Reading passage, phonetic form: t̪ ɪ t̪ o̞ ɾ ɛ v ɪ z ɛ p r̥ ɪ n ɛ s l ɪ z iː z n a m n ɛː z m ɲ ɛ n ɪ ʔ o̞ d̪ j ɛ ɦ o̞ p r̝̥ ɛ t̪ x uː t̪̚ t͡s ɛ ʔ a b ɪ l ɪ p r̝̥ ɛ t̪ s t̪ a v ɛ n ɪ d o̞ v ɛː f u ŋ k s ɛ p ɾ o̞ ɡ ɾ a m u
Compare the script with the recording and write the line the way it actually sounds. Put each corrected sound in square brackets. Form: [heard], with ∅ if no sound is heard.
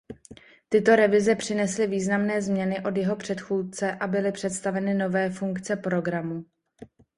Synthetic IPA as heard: t̪ ɪ t̪ o̞ ɾ ɛ v ɪ z ɛ p r̥ ɪ n ɛ s l ɪ [v] iː z n a m n ɛː z m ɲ ɛ n ɪ ʔ o̞ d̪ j ɛ ɦ o̞ p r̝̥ ɛ t̪ x uː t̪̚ t͡s ɛ ʔ a b ɪ l ɪ p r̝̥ ɛ t̪ s t̪ a v ɛ n ɪ [n] o̞ v ɛː f u ŋ k [t͡s] ɛ p ɾ o̞ ɡ ɾ a m u